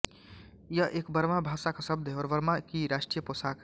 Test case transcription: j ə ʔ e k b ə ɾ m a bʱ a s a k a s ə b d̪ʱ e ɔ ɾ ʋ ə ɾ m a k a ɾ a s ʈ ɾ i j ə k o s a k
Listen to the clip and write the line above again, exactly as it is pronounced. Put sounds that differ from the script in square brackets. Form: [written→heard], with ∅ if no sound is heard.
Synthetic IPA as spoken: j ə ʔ e k b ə ɾ m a bʱ a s a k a s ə b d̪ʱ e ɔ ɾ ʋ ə ɾ m a k [a→i] ɾ a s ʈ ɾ i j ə [k→p] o s a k